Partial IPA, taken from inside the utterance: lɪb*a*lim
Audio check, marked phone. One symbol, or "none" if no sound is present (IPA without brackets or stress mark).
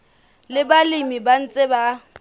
a